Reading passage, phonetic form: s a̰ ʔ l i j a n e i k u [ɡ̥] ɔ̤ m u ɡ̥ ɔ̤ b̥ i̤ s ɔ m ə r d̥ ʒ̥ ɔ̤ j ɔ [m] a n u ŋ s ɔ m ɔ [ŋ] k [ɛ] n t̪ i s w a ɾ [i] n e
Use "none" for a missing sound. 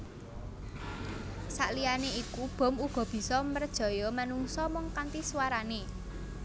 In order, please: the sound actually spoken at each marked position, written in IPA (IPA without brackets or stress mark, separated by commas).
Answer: b̥, m, ŋ, a, a